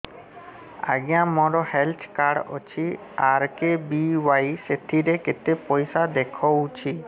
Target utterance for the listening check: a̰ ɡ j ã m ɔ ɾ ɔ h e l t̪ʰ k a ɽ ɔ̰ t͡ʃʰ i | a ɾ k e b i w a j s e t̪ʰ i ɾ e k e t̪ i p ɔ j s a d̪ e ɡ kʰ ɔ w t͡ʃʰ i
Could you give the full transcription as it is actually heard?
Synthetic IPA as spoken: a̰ ɡ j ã m ɔ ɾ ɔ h e l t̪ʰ k a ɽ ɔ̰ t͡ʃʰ i | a ɾ k e b i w a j s e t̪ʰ i ɾ e k e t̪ e p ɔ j s a d̪ e kʰ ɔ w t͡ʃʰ i

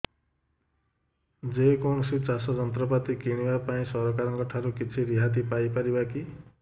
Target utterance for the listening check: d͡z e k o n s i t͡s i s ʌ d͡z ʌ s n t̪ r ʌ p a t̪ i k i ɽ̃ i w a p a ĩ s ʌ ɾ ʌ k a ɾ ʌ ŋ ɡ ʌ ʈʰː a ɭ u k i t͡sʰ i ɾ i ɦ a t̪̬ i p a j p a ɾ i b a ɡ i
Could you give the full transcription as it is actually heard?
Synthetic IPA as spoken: d͡z e k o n s i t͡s a s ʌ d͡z ʌ n t̪ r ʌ p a t̪ i k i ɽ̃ i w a p a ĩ s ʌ ɾ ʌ k a ɾ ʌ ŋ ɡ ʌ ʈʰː a ɾ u k i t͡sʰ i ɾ i ɦ a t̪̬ i p a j p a ɾ i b a k i

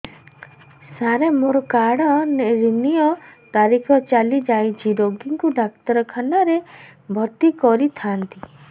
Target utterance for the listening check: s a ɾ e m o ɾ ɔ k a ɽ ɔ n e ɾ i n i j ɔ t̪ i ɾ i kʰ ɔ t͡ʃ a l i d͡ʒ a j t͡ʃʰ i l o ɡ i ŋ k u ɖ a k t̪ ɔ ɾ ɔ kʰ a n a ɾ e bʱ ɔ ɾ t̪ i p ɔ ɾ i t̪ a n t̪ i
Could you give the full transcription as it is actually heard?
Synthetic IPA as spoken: s a ɾ e m o ɾ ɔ k a ɽ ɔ n e ɾ i n i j ɔ t̪ a ɾ i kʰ ɔ t͡ʃ a l i d͡ʒ a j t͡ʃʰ i ɾ o ɡ i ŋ k u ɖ a k t̪ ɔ ɾ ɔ kʰ a n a ɾ e bʱ ɔ ɾ t̪ i k ɔ ɾ i t̪ʰ a n t̪ i

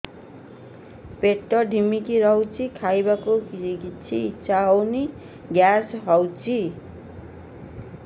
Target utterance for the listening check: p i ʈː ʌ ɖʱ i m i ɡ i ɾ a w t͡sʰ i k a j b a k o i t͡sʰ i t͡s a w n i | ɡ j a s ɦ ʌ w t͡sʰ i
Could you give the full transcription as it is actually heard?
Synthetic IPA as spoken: p e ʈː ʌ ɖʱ i m i k i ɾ ʌ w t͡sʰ i kʰ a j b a k o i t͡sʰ i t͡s a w n i | ɡ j a s ɦ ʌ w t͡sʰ i

